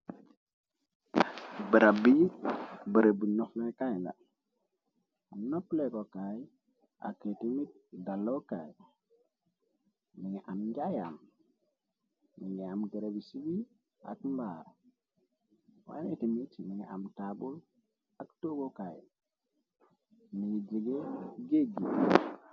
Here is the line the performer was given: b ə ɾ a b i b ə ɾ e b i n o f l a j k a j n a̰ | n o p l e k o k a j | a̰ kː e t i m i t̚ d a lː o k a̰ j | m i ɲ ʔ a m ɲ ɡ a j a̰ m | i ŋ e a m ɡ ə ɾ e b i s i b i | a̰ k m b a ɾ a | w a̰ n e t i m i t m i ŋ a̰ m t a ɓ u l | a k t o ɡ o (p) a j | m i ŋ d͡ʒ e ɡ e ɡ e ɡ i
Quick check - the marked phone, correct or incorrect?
incorrect